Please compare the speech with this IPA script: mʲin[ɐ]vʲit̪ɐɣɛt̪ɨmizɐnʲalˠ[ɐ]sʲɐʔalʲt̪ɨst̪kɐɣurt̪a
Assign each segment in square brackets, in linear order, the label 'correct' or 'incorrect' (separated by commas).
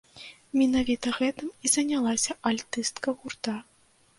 incorrect, incorrect